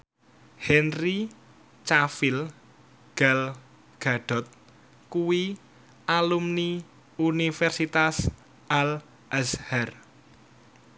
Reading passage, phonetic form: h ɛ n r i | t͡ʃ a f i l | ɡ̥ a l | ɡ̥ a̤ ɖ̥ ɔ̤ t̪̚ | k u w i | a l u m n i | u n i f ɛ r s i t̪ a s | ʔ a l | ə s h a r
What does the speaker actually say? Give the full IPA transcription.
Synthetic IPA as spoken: h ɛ n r i | t͡ʃ a f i l | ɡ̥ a l | ɡ̥ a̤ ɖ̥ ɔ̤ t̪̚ | k u w i | a l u m n i | u n i f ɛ r s i t̪ a s | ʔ a l | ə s h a r